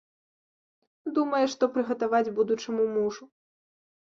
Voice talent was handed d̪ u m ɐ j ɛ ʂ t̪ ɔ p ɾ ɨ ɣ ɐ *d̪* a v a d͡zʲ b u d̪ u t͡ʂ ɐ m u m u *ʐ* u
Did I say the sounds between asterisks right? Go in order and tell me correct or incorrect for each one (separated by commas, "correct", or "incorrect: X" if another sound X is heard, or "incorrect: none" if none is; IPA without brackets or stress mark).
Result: incorrect: t̪, correct